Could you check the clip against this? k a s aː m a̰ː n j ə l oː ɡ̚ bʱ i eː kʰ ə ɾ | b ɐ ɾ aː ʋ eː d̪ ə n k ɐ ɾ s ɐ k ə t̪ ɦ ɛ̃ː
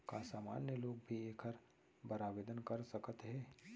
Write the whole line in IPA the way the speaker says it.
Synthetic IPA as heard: k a s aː m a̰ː n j ə l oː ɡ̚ bʱ i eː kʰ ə ɾ | b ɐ ɾ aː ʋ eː d̪ ə n k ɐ ɾ s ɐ k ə t̪ ɦ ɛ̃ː